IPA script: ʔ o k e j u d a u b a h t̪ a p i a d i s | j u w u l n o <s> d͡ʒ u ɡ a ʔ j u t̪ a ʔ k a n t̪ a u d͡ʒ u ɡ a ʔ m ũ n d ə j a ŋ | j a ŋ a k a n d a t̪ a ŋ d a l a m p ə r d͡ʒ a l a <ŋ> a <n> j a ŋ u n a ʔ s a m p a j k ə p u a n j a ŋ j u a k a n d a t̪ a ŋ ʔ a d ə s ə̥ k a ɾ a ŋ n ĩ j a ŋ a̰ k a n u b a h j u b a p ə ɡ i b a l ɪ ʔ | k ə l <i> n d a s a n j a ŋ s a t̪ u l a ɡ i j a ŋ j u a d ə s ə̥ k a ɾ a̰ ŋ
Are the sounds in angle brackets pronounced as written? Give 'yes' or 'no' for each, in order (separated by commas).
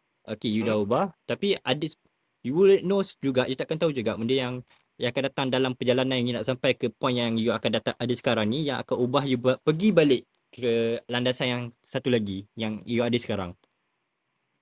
yes, no, yes, no